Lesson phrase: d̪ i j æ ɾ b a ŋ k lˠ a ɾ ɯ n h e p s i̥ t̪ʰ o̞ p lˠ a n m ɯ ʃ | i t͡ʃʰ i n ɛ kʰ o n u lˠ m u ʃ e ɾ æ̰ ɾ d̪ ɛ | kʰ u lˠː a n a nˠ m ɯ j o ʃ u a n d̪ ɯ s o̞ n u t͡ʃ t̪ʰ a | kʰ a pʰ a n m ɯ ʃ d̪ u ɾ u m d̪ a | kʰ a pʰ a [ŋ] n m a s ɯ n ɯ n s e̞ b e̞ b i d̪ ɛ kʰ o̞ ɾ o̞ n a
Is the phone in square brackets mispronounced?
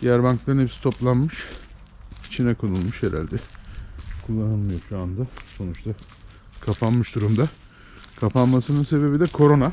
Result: yes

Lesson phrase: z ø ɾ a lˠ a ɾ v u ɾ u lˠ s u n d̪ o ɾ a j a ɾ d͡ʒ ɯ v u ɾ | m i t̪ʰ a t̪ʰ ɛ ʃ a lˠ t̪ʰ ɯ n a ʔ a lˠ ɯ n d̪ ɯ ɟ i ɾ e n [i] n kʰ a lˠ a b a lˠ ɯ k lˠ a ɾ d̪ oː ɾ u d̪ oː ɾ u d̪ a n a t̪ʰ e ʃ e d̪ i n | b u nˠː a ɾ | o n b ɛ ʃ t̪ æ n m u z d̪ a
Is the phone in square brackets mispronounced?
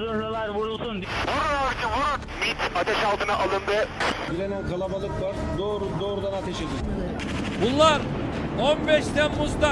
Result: yes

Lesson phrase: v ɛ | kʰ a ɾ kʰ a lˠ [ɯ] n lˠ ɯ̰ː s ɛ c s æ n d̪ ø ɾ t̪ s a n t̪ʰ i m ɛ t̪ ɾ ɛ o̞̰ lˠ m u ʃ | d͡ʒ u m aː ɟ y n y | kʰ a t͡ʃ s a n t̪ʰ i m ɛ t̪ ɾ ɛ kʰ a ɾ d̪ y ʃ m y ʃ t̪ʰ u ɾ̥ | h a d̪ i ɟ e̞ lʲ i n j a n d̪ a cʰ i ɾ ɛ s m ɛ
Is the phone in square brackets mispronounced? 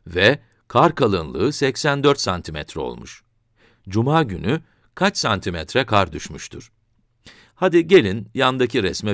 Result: no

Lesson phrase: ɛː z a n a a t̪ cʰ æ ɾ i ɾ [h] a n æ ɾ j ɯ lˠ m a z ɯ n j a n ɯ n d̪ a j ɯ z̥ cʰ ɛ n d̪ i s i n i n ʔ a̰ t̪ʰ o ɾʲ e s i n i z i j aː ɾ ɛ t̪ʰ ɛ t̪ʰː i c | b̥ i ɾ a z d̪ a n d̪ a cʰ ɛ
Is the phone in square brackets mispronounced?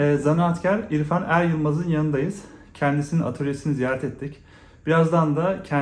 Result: yes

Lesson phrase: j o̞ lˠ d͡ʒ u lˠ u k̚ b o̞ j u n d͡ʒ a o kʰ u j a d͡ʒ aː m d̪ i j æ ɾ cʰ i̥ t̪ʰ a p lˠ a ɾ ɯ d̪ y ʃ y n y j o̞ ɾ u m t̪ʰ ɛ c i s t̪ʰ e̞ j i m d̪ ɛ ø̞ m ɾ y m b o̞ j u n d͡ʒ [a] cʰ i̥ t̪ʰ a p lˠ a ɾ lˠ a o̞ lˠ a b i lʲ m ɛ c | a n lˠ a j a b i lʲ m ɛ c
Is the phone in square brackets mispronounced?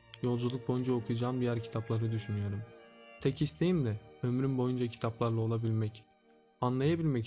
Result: no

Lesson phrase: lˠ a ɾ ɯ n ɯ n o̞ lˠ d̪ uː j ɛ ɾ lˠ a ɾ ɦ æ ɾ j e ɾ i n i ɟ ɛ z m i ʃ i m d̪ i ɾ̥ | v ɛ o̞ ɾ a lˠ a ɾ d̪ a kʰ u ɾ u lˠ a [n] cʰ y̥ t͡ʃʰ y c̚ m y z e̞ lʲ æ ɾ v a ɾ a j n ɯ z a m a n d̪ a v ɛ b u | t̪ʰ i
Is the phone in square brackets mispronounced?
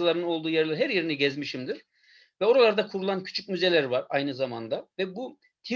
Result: no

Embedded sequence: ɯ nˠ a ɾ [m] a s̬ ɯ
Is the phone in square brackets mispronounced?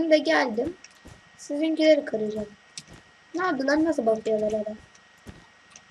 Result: yes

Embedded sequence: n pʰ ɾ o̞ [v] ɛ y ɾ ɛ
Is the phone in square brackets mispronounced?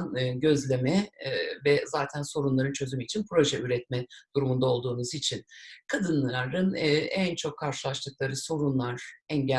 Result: yes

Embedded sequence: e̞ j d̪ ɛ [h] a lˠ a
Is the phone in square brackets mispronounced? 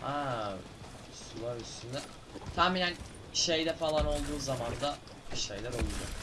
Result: yes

